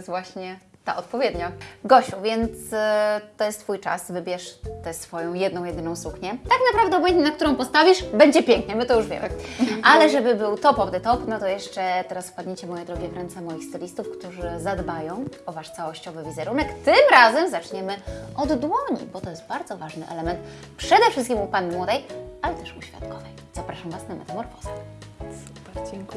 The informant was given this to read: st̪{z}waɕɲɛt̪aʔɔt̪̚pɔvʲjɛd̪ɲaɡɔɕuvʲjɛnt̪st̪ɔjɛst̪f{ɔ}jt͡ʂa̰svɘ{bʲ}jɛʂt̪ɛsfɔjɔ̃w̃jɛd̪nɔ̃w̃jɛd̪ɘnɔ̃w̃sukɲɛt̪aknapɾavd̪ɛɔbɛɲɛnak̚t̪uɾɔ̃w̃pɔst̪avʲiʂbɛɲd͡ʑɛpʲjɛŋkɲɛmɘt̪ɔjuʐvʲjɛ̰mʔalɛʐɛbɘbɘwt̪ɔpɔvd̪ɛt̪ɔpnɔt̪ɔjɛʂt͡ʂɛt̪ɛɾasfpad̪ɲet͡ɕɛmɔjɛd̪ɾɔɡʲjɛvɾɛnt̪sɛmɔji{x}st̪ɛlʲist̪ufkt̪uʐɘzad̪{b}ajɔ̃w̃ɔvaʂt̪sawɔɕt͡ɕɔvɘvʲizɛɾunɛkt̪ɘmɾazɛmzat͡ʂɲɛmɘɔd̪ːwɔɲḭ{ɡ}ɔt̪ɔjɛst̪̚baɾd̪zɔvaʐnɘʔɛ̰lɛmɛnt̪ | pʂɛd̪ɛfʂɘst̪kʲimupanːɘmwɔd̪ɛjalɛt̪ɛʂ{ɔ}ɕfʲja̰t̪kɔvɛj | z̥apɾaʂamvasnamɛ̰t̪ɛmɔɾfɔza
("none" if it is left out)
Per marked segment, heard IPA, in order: v, u, bʲ, x, b, b, u

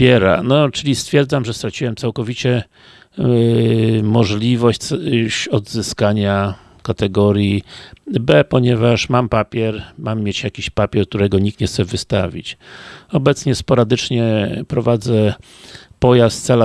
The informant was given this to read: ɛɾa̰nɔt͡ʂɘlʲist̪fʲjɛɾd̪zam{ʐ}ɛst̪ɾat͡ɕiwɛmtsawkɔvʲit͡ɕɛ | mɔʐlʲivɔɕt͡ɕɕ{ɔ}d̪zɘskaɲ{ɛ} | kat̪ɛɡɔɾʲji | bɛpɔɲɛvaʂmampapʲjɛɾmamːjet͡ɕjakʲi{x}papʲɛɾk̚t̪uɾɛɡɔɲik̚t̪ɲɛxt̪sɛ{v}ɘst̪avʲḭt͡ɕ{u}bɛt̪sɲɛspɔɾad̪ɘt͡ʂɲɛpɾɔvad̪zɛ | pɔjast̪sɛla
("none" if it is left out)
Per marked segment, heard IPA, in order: ʐ, ɔ, a, ɕ, v, ɔ

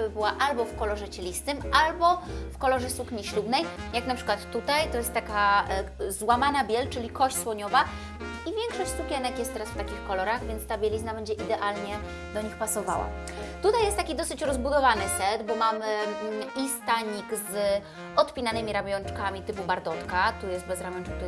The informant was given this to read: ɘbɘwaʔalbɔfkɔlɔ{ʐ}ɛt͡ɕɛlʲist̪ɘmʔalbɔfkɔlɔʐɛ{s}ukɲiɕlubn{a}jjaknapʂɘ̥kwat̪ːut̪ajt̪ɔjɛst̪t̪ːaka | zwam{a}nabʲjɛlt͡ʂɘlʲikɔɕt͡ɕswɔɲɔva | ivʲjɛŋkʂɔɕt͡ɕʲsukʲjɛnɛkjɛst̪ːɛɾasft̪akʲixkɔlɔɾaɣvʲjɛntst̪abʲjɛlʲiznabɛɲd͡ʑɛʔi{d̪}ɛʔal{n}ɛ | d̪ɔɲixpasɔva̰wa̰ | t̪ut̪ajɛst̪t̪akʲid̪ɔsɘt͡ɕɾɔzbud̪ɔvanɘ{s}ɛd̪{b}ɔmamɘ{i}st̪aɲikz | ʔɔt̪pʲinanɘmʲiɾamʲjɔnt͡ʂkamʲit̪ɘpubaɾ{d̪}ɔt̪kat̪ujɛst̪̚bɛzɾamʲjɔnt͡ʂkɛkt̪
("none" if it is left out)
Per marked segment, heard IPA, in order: ʐ, s, ɛ, a, d̪, ɲ, s, b, i, d̪

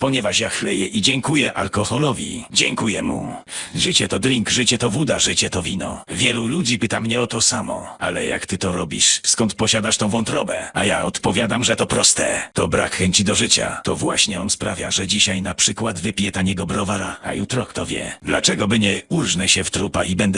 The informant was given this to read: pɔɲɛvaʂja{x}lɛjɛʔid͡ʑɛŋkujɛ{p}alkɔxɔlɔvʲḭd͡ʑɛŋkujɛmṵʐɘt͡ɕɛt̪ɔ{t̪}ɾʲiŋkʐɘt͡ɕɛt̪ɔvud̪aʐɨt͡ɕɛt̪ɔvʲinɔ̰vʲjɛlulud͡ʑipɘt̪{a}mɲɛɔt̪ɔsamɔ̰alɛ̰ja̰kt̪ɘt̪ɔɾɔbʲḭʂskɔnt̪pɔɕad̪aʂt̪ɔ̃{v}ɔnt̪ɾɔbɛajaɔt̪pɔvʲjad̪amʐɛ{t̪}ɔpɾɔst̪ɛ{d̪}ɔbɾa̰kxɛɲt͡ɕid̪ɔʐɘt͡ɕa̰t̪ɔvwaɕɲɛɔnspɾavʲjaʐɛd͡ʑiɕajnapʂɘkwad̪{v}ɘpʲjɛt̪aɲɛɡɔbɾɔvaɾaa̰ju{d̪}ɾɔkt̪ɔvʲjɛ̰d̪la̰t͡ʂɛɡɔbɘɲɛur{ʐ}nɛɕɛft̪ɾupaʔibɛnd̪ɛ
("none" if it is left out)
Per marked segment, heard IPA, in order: x, ʔ, d̪, a, v, t̪, t̪, v, t̪, ʐ

